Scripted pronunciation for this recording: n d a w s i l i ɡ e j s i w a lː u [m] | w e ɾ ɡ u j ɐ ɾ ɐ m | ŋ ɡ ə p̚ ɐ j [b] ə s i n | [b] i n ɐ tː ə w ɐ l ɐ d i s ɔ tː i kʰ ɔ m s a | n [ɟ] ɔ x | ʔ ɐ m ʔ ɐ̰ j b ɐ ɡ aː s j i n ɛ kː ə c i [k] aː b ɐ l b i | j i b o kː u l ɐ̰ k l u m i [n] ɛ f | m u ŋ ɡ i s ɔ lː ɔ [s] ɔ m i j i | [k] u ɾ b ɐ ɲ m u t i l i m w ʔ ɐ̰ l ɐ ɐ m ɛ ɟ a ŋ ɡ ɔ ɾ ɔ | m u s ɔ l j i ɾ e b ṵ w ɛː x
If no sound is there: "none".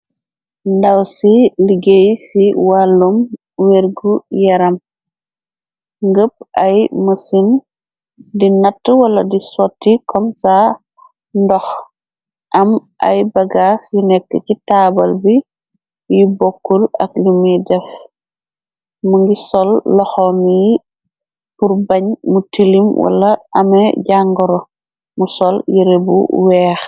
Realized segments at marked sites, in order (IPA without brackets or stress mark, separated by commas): m, m, d, d, t, d, x, p